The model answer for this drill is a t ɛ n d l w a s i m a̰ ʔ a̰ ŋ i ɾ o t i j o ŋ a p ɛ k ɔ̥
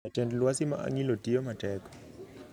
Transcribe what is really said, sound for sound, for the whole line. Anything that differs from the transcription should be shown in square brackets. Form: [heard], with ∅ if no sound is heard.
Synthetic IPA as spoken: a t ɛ n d l w a s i m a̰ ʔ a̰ ŋ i [l] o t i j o [m] a [t] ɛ k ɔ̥